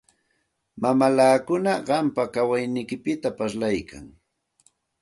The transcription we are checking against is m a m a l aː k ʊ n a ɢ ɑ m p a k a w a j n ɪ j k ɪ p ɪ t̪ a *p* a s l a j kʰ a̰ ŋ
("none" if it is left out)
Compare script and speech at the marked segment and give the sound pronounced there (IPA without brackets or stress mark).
p